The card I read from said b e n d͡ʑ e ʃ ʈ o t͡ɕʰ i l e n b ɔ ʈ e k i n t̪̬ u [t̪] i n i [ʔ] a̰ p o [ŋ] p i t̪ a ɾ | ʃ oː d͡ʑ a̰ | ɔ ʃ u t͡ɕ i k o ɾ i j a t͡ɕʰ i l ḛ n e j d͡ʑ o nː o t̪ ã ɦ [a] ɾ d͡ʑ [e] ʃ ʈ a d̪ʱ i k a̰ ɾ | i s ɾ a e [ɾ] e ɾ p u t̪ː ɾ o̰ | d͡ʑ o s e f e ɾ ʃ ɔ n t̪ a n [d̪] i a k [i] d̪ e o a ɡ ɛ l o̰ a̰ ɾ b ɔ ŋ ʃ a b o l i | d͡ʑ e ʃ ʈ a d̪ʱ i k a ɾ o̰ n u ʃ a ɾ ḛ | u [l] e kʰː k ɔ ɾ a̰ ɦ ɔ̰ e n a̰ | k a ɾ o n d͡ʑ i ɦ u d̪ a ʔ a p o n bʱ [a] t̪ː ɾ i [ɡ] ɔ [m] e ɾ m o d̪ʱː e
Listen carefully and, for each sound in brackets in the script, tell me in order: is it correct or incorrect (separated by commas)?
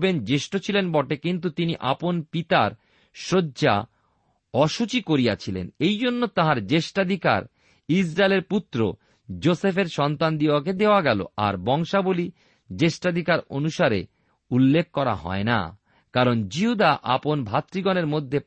correct, correct, incorrect, correct, correct, incorrect, correct, incorrect, incorrect, correct, correct, incorrect